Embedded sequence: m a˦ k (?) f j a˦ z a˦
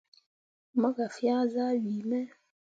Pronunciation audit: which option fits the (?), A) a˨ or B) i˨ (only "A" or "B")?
A